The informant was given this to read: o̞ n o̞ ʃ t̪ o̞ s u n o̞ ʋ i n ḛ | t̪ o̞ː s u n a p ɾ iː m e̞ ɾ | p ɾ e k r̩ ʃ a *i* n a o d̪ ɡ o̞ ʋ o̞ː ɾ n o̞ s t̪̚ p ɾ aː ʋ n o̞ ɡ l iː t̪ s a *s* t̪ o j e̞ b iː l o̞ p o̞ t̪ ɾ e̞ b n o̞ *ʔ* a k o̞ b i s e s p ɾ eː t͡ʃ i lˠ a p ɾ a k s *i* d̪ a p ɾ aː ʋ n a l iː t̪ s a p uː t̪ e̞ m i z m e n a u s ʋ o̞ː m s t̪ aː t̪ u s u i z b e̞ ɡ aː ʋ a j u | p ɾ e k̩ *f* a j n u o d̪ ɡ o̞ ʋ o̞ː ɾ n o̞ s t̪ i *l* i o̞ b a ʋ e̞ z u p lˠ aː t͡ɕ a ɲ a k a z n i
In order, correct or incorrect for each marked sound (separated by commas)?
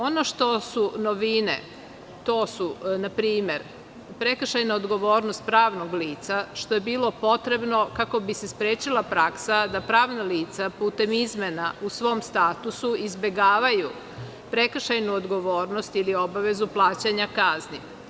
incorrect, incorrect, incorrect, incorrect, incorrect, correct